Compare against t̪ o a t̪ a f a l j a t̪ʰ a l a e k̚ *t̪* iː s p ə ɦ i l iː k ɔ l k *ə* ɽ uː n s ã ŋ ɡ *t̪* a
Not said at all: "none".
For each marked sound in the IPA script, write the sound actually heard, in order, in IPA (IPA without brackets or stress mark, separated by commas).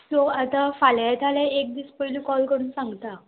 d̪, ə, t̪